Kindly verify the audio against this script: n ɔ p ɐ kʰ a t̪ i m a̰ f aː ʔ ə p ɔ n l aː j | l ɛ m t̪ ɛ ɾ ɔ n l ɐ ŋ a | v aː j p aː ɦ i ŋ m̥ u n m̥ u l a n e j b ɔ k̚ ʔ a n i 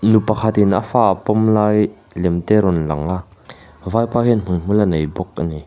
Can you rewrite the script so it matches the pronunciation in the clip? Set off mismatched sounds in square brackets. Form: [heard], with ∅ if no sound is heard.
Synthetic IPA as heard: n [u] p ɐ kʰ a t̪ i [n] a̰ f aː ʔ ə p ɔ [m] l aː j | l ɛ m t̪ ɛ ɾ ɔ n l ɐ ŋ a | v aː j p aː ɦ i [n] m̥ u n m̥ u l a n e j b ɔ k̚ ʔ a n i